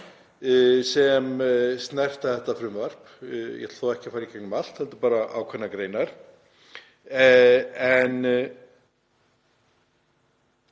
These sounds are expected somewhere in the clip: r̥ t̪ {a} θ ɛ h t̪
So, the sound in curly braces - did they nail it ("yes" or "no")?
yes